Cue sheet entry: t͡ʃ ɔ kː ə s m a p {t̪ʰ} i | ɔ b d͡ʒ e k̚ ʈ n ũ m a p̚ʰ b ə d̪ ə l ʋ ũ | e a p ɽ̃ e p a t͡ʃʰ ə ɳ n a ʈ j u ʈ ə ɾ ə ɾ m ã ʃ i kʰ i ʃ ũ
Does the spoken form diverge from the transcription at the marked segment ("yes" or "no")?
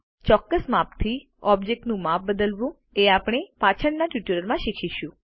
no